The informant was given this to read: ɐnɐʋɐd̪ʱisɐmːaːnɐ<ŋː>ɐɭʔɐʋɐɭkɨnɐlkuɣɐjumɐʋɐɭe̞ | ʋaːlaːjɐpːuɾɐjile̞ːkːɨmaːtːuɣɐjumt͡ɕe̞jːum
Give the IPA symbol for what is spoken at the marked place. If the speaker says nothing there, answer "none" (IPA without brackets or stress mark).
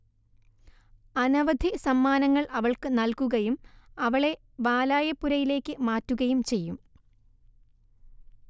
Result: ŋː